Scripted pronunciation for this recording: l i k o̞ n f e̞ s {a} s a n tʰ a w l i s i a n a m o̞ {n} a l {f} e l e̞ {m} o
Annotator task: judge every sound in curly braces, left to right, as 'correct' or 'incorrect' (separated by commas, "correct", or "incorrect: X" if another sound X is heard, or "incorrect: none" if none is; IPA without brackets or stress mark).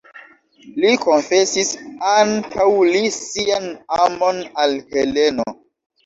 incorrect: i, correct, incorrect: h, incorrect: n